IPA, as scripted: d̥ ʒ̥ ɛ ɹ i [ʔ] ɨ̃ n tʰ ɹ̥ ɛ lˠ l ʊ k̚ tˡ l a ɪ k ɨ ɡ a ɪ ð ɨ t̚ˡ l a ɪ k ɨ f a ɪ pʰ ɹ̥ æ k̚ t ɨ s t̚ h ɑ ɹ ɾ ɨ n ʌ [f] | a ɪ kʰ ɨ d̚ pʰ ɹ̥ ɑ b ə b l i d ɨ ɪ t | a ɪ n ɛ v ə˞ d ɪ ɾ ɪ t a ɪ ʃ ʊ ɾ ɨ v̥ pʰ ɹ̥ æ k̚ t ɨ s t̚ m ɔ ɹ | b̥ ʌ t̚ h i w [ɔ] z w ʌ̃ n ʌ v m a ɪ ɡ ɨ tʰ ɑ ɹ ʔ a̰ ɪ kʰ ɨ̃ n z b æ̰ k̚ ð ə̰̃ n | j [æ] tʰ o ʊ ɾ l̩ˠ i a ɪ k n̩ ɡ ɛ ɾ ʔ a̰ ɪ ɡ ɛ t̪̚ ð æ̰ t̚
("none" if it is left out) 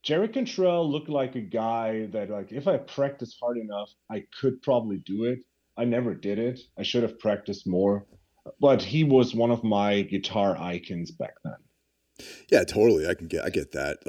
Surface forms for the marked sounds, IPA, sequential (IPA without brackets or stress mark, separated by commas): k, f, ʌ, æ